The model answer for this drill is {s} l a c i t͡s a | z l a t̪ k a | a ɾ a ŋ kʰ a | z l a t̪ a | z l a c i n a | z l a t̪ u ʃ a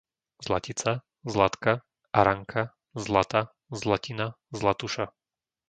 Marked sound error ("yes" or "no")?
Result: yes